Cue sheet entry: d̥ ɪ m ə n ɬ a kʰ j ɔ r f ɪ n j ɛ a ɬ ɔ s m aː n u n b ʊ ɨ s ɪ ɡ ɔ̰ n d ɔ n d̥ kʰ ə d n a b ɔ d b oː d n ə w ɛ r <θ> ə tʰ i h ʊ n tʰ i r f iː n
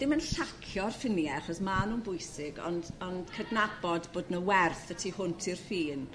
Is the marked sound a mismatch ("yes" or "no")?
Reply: no